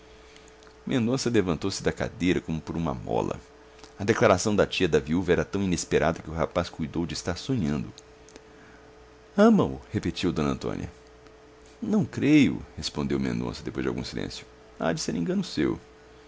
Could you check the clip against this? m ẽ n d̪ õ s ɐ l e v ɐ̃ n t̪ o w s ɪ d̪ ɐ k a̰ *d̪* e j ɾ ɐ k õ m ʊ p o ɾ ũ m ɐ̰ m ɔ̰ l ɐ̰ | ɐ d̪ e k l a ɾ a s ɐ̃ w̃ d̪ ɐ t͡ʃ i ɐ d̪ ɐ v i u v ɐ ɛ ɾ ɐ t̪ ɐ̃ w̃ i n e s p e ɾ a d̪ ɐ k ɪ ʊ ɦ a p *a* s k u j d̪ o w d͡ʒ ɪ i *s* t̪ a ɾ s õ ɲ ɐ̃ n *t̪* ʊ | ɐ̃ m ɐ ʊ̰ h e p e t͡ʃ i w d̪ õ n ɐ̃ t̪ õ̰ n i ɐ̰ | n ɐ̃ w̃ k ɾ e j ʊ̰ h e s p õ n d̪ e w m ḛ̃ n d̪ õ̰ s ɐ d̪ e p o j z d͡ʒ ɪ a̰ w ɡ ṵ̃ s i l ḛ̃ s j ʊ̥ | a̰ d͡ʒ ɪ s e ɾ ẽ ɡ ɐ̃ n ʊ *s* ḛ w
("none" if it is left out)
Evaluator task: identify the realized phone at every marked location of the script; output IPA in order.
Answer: d̪, a, s, d̪, s

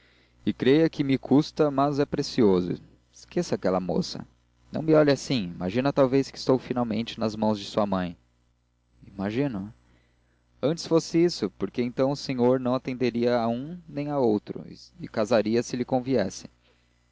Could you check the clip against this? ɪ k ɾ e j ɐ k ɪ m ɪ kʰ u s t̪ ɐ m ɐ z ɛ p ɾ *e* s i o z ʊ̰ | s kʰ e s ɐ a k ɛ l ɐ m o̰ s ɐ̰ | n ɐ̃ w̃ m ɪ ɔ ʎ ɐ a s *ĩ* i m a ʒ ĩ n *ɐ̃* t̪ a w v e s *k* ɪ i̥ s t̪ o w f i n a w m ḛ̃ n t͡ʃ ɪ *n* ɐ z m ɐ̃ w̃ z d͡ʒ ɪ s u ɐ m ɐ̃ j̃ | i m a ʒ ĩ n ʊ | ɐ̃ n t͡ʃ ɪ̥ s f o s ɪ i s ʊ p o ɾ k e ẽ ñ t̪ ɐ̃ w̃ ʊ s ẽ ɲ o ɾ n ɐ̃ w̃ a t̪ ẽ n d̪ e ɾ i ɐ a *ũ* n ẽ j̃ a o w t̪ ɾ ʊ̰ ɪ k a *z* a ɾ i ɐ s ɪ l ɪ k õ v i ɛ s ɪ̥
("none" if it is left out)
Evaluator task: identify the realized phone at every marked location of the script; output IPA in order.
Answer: e, ĩ, ɐ, k, n, ũ, z

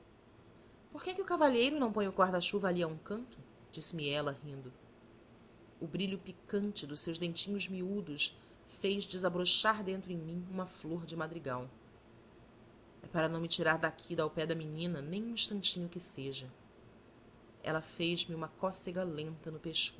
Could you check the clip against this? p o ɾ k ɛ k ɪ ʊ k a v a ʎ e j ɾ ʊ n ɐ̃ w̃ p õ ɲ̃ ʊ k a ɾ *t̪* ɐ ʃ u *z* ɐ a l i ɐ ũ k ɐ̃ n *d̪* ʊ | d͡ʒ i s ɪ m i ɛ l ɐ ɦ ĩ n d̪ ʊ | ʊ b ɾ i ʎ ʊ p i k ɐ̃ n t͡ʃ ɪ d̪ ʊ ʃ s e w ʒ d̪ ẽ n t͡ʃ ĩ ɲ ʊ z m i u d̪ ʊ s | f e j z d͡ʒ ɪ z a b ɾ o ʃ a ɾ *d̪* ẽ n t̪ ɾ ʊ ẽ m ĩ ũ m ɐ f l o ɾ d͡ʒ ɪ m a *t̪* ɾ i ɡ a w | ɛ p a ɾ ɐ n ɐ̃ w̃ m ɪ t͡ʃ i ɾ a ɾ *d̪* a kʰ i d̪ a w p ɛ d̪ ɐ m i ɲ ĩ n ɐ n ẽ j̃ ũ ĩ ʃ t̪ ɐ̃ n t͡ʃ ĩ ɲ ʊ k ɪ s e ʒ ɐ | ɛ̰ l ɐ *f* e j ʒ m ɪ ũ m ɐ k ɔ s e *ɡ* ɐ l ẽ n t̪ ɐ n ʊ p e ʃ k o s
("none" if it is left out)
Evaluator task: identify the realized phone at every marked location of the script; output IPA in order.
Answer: d̪, v, t̪, d̪, d̪, d̪, f, ɡ

